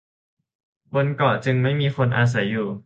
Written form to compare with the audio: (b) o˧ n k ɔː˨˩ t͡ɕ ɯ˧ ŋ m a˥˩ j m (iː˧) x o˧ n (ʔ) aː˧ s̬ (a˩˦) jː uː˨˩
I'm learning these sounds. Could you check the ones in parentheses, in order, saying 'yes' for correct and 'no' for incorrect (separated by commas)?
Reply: yes, yes, yes, yes